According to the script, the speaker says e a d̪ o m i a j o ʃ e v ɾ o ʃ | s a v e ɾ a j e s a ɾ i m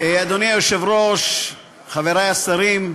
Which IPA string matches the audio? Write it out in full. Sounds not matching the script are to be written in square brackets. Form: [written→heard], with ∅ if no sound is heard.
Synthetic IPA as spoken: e a d̪ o [m→n] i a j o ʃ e v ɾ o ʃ | [s→χ] a v e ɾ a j [e→a] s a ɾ i m